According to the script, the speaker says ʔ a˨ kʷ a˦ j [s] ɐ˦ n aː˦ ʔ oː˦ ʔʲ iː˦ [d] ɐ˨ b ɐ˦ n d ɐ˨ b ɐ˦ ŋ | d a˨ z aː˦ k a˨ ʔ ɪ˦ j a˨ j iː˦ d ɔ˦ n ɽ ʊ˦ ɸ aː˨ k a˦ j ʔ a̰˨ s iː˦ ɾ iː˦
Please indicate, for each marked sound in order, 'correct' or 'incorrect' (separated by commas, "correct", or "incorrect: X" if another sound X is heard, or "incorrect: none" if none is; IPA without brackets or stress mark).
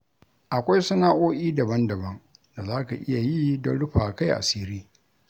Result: correct, correct